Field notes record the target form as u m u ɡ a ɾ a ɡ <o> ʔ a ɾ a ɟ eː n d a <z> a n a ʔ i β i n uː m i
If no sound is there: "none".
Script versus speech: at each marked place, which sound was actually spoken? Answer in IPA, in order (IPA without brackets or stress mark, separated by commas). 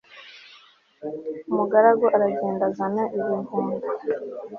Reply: o, z